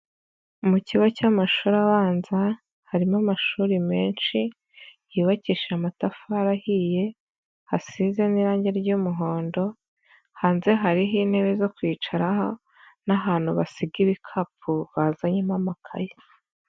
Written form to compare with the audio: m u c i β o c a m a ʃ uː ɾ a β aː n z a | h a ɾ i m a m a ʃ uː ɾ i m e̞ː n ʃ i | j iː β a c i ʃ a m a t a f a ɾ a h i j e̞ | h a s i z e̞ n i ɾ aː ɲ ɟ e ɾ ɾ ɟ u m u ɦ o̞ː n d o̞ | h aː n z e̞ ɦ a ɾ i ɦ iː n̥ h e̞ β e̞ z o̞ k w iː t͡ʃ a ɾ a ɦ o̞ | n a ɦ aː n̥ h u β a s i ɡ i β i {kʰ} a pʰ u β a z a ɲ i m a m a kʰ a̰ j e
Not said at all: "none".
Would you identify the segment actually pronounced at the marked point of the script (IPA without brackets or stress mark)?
kʰ